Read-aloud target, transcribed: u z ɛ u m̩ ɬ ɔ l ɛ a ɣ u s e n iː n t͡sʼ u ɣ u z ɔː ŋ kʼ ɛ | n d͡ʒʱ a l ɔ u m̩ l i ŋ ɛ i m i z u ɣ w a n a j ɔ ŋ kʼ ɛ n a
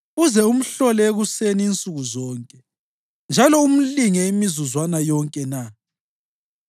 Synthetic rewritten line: u z ɛ u m̩ ɬ ɔ l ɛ e ɣ u s e n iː n t͡sʼ u ɣ u z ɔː ŋ kʼ ɛ | n d͡ʒʱ a l ɔ u m̩ l i ŋ ɛ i m i z u z w a n a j ɔ ŋ kʼ ɛ n a